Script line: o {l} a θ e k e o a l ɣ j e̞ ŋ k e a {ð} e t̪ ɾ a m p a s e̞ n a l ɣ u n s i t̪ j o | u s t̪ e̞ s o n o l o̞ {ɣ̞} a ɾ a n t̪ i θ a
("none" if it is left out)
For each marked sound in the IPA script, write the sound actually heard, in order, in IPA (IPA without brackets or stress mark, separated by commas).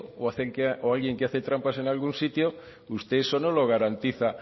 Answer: none, θ, ɣ̞